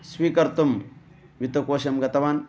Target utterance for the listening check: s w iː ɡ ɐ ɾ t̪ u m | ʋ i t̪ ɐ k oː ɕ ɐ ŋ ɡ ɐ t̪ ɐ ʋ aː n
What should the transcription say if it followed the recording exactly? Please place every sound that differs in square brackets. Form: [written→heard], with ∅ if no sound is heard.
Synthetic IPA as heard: s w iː [ɡ→k] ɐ ɾ t̪ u m | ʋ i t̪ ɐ k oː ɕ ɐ [ŋ→m] ɡ ɐ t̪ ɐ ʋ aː n